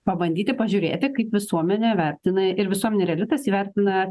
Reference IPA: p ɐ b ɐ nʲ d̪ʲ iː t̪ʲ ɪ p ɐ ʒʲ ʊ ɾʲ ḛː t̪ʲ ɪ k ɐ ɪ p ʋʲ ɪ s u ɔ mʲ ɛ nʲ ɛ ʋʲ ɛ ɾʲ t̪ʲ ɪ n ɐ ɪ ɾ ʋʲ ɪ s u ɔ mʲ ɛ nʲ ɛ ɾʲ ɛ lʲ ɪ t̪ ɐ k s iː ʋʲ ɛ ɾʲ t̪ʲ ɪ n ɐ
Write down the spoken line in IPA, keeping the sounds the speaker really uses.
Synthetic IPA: p ɐ b ɐ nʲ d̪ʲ iː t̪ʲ ɪ p ɐ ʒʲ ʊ ɾʲ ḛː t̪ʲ ɪ k ɐ ɪ p ʋʲ ɪ s u ɔ mʲ ɛ nʲ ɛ ʋʲ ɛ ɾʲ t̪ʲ ɪ n ɐ ɪ ɾ ʋʲ ɪ s u ɔ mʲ ɛ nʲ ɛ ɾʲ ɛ lʲ ɪ t̪ ɐ s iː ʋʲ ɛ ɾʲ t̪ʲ ɪ n ɐ

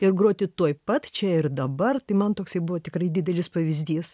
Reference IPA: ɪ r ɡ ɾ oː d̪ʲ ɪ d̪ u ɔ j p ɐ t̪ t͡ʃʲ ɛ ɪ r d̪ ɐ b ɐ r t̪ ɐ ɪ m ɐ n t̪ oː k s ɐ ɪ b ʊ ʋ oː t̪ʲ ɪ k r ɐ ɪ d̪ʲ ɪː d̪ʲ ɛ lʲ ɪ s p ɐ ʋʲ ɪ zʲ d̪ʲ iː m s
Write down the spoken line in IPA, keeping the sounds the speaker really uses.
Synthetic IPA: ɪ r ɡ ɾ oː t̪ʲ ɪ t̪ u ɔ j p ɐ t̪ t͡ʃʲ ɛ ɪ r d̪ ɐ b ɐ r t̪ ɐ ɪ m ɐ n t̪ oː k s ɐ ɪ b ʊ ʋ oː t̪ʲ ɪ k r ɐ ɪ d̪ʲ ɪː d̪ʲ ɛ lʲ ɪ s p ɐ ʋʲ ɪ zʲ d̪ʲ iː s

